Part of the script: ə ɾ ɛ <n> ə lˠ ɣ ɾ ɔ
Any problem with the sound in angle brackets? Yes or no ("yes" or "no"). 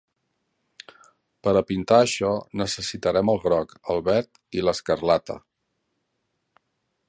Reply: yes